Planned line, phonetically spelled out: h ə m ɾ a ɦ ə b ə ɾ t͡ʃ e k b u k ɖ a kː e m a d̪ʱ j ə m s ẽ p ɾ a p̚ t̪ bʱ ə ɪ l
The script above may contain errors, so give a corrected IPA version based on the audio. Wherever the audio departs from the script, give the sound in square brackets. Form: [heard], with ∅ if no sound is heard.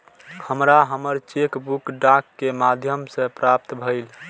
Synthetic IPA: h ə m ɾ a ɦ ə [m] ə ɾ t͡ʃ e k b u k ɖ a kː e m a d̪ʱ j ə m s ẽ p ɾ a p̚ t̪ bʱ ə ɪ l